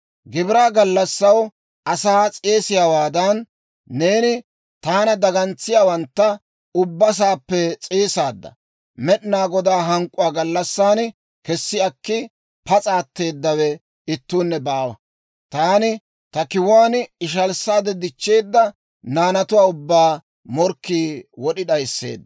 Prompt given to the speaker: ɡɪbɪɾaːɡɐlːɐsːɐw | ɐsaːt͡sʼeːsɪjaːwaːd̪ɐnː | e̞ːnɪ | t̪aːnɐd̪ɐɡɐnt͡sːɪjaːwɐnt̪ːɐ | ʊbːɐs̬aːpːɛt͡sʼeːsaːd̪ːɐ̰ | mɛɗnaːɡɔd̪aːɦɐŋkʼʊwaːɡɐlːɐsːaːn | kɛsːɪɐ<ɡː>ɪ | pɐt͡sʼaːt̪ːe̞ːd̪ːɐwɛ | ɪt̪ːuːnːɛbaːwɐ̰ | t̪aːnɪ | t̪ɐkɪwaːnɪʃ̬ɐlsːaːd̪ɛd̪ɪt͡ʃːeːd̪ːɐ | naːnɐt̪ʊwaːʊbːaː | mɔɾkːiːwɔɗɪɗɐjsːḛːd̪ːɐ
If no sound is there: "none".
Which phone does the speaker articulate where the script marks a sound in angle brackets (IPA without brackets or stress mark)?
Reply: kː